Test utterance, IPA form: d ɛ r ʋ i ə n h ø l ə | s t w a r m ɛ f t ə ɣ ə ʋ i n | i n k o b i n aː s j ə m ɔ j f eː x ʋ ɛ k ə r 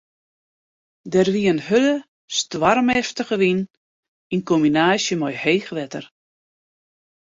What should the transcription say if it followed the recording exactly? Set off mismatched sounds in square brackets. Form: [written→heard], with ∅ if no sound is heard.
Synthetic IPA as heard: d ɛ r ʋ i ə n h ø l ə | s t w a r m ɛ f t ə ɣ ə ʋ i n | i n k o [b→m] i n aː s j ə m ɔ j [f→h] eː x ʋ ɛ [k→t] ə r